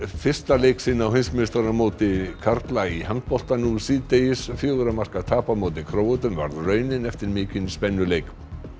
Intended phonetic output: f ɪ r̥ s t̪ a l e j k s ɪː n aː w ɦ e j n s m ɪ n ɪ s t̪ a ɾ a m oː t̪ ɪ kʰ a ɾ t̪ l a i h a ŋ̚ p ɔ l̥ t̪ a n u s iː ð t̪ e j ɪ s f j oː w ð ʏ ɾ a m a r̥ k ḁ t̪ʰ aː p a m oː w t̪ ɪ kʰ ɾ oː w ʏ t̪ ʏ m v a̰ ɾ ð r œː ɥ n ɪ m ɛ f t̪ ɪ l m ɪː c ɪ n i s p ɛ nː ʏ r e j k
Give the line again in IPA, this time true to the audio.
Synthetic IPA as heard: f ɪ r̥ s t̪ a l e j k s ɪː n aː w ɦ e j n s m ɪ n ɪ s t̪ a ɾ a m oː t̪ ɪ kʰ a ɾ t̪ l a i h a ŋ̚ p ɔ l̥ t̪ a n u s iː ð t̪ e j ɪ s f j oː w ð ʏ ɾ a m a r̥ k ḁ t̪ʰ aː p a m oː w t̪ ɪ kʰ ɾ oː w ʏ t̪ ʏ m v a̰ ɾ ð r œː ɥ n ɪ n ɛ f t̪ ɪ ɾ m ɪː c ɪ n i s p ɛ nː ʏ l e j k